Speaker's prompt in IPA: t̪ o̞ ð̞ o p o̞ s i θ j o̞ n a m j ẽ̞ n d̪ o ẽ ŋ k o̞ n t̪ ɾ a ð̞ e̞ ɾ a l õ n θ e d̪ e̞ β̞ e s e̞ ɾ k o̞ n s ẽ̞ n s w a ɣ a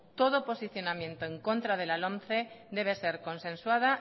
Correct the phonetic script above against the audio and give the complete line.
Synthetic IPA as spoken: t̪ o̞ ð̞ o p o̞ s i θ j o̞ n a m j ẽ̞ n t̪ o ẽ ŋ k o̞ n t̪ ɾ a ð̞ e̞ l a l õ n θ e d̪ e̞ β̞ e s e̞ ɾ k o̞ n s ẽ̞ n s w a ð a